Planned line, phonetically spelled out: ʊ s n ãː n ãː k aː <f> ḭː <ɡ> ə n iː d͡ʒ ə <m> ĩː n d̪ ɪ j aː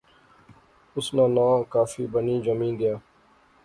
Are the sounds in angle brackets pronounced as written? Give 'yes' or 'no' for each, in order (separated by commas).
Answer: yes, no, yes